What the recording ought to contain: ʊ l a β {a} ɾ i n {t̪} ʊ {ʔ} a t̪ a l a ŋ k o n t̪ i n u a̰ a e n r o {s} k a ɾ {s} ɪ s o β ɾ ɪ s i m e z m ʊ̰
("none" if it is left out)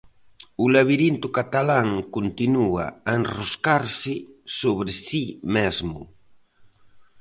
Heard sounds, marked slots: i, t̪, k, s, s

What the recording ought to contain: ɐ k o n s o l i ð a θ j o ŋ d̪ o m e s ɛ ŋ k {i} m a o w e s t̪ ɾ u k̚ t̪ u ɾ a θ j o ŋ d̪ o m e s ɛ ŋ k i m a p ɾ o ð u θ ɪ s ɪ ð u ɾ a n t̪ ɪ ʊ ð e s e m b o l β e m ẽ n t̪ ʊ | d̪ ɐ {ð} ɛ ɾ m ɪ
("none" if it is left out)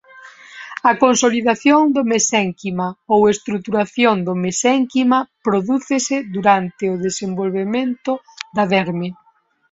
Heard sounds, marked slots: i, ð

